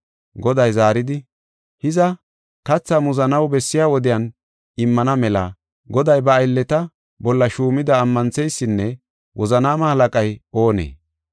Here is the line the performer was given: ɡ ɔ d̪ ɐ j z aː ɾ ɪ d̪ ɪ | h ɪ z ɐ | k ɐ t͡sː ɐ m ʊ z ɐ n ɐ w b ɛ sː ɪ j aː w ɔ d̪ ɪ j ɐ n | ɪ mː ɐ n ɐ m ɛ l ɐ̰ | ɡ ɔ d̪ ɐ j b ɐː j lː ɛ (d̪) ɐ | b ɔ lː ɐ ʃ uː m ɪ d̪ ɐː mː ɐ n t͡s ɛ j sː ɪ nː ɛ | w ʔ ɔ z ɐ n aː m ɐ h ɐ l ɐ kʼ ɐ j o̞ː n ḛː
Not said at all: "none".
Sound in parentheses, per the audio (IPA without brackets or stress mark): t̪